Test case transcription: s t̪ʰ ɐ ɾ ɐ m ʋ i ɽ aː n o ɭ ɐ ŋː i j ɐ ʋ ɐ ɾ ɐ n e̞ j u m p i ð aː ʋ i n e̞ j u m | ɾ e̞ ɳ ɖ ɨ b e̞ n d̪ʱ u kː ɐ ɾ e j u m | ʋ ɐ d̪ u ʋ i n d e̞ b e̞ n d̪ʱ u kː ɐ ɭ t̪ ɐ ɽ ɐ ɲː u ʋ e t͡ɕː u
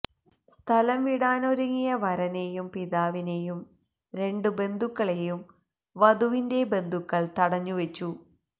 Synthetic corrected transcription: s t̪ʰ ɐ l ɐ m ʋ i ɽ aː n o ɾ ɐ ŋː i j ɐ ʋ ɐ ɾ ɐ n e̞ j u m p i ð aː ʋ i n e̞ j u m | ɾ e̞ ɳ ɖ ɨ b e̞ n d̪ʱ u kː ɐ ɭ e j u m | ʋ ɐ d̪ u ʋ i n d e̞ b e̞ n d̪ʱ u kː ɐ ɭ t̪ ɐ ɽ ɐ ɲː u ʋ e t͡ɕː u